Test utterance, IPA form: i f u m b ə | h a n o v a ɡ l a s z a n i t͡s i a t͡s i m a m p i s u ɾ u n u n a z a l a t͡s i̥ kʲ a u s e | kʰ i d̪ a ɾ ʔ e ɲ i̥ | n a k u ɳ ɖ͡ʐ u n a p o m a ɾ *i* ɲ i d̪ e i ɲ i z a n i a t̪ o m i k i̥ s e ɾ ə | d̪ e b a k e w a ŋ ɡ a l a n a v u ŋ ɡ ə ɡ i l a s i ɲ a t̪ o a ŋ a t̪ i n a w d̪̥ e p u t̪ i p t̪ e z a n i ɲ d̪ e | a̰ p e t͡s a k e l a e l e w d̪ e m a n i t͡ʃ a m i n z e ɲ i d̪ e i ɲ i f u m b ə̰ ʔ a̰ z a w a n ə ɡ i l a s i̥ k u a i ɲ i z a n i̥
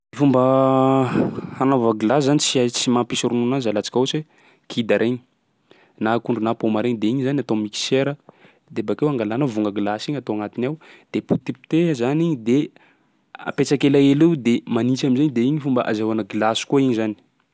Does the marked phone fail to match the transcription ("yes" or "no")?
yes